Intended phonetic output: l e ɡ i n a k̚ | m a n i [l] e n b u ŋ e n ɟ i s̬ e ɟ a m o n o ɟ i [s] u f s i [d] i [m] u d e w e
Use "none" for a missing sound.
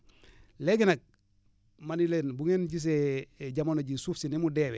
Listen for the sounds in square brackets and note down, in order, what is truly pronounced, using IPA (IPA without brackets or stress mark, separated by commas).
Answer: l, s, n, m